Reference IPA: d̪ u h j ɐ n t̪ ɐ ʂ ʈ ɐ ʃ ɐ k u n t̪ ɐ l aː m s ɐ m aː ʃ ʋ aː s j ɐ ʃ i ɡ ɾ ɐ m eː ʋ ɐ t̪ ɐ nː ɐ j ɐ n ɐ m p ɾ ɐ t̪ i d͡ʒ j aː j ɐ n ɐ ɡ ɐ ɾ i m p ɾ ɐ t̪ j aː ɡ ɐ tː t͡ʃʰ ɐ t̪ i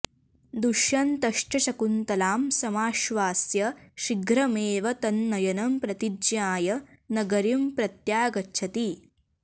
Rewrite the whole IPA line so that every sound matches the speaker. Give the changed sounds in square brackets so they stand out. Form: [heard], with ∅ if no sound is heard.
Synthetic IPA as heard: d̪ u [ʃ] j ɐ n t̪ ɐ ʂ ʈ ɐ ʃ ɐ k u n t̪ ɐ l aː m s ɐ m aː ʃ ʋ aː s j ɐ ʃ i ɡ ɾ ɐ m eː ʋ ɐ t̪ ɐ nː ɐ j ɐ n ɐ m p ɾ ɐ t̪ i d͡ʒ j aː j ɐ n ɐ ɡ ɐ ɾ i m p ɾ ɐ t̪ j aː ɡ ɐ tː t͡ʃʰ ɐ t̪ i